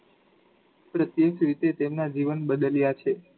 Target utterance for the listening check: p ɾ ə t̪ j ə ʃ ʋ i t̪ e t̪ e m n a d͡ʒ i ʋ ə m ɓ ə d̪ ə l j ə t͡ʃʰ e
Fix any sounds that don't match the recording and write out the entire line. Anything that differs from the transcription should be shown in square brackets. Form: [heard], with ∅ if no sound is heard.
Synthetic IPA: p ɾ ə t̪ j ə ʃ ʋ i t̪ e t̪ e m n a d͡ʒ i ʋ ə [n] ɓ ə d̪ ə l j [a] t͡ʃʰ e